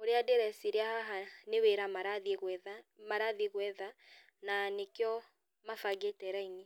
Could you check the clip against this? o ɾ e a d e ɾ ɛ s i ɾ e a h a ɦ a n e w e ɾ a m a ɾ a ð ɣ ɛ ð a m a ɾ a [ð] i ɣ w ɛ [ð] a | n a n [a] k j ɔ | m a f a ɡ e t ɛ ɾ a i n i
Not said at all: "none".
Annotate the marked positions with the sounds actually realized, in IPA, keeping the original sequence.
ð, ð, e

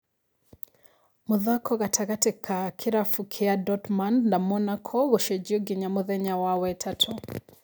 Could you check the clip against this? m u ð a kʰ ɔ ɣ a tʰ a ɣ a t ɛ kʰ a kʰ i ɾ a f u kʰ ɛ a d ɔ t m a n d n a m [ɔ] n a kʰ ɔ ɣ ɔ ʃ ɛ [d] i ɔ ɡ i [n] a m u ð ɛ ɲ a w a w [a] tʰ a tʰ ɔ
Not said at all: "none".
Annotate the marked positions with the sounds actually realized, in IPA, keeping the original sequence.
ɔ, d͡ʒ, ɲ, ɛ

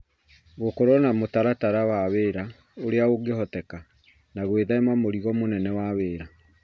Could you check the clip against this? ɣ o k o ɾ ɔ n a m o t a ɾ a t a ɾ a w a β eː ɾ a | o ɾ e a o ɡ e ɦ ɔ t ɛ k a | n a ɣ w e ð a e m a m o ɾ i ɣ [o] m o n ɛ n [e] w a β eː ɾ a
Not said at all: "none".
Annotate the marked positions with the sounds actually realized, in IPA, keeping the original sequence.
ɔ, ɛ

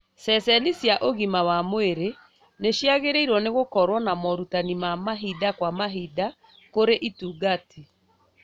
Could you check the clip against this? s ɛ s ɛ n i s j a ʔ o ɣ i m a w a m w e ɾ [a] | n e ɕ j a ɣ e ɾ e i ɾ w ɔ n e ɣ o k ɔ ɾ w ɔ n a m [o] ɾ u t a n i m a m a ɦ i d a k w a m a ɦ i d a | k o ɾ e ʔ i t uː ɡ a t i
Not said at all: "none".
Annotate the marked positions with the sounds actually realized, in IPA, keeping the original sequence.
e, ɔ

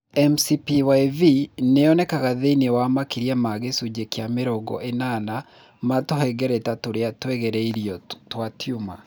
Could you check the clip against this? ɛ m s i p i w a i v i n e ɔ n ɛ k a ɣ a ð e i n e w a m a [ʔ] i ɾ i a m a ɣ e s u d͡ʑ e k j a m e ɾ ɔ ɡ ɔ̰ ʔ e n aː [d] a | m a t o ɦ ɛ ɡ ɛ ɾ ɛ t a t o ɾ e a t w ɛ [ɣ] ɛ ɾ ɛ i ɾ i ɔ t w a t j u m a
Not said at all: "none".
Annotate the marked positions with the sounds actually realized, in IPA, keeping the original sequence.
k, n, ɣ

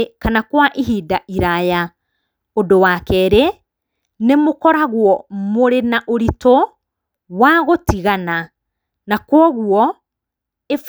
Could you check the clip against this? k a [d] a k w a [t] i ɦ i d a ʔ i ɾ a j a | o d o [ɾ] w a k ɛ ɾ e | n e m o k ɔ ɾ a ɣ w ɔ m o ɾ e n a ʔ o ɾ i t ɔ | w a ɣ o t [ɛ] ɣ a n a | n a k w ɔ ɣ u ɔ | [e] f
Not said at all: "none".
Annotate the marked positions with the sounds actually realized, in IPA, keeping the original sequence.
n, ʔ, none, i, e

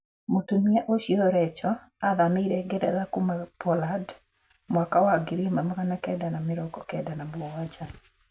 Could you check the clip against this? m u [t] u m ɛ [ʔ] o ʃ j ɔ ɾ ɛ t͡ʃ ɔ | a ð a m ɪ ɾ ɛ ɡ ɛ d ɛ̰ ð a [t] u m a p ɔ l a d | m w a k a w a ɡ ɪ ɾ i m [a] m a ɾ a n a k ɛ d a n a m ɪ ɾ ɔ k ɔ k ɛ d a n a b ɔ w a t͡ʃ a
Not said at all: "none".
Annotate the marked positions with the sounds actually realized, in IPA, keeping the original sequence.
t, ʔ, k, a

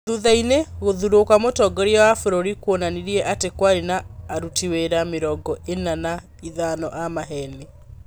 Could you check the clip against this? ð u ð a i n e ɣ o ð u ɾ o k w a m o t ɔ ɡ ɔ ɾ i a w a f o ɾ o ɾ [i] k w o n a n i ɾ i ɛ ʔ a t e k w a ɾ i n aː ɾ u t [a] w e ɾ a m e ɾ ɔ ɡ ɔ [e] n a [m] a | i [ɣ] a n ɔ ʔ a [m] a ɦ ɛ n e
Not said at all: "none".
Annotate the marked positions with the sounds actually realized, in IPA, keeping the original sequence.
i, i, e, n, ð, m

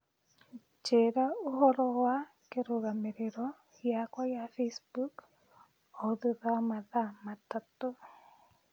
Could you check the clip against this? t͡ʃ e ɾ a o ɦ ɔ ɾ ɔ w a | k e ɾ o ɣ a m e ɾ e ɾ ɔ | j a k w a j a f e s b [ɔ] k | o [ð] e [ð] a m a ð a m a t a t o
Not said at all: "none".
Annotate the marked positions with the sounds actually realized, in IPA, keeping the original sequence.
u, ð, ð

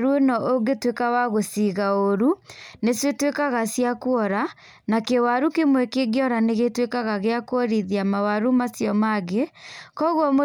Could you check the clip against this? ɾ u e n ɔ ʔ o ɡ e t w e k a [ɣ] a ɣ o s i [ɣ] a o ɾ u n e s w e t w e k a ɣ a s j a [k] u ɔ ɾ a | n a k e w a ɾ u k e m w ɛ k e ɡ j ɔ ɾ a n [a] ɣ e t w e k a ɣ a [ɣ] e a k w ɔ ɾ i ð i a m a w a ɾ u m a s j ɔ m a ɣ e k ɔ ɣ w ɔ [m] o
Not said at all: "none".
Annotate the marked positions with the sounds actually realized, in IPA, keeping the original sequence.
w, ɣ, k, e, ɣ, m

